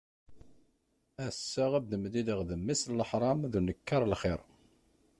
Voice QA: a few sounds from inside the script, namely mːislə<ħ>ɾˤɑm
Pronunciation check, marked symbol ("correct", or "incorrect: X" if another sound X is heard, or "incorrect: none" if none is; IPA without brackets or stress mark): correct